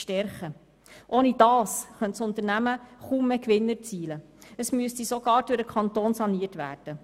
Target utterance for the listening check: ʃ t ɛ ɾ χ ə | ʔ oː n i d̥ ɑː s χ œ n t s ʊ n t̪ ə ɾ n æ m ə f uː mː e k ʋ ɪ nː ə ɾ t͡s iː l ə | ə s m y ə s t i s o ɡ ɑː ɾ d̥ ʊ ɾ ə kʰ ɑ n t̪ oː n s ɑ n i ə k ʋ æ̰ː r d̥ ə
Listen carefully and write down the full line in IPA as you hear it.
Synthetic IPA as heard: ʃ t ɛ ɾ χ ə | ʔ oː n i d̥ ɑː s χ œ n t s ʊ n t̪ ə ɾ n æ m ə χ uː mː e k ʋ ɪ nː ə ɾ t͡s iː l ə | ə s m y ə s t i s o ɡ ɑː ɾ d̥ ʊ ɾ ə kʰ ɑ n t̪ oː n s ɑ n i ə t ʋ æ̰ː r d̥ ə